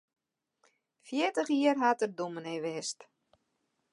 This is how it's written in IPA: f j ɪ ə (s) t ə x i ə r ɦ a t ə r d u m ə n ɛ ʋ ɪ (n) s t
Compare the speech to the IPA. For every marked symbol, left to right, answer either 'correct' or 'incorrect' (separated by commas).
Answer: incorrect, incorrect